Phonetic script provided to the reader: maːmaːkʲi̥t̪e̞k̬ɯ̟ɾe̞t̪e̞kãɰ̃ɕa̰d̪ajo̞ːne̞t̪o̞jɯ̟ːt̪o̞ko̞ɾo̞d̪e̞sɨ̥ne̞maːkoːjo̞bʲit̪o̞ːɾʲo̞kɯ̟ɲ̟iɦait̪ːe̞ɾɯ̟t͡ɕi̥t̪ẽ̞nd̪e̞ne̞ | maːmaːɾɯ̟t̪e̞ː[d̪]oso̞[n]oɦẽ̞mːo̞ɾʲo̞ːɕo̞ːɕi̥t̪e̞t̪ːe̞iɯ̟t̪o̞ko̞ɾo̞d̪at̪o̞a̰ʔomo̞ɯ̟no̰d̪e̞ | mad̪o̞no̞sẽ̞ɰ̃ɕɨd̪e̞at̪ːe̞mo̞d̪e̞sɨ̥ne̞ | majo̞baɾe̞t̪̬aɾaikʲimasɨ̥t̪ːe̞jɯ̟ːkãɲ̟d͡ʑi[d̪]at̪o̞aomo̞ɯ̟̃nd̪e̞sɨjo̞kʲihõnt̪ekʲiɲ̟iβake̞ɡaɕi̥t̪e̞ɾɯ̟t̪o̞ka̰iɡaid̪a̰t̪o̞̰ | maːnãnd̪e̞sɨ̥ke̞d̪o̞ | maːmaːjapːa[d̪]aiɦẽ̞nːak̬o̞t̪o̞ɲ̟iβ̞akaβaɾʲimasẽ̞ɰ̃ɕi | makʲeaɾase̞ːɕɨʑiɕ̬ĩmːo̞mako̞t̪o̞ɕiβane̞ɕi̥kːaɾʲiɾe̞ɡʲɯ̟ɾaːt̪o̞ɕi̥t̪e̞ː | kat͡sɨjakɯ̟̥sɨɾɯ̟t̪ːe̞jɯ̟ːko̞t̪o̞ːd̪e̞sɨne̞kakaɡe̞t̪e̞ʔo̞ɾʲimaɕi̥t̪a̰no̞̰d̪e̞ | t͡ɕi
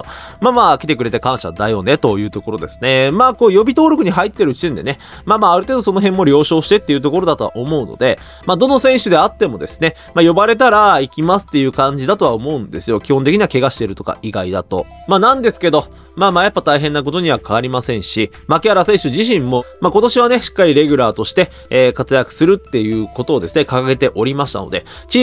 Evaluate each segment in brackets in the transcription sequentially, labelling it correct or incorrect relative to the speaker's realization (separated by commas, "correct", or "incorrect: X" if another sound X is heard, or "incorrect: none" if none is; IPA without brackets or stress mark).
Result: correct, correct, correct, incorrect: t̪